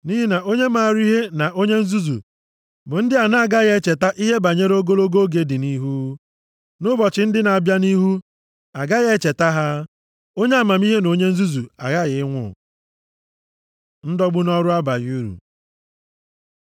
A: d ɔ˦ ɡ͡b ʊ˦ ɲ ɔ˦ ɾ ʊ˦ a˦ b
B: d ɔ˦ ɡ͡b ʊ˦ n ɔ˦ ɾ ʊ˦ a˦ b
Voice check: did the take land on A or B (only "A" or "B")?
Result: B